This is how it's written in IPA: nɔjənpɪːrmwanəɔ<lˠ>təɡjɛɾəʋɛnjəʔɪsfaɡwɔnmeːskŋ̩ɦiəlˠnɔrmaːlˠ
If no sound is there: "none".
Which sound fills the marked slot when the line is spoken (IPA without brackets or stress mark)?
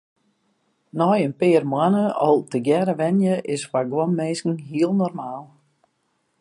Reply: lˠ